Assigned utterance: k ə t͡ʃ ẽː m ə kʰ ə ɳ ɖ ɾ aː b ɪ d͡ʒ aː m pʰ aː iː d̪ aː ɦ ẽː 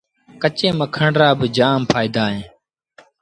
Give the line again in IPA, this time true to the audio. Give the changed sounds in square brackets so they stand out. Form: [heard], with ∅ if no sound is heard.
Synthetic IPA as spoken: k ə t͡ʃ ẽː m ə kʰ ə ɳ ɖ ɾ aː b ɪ d͡ʒ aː m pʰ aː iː d̪ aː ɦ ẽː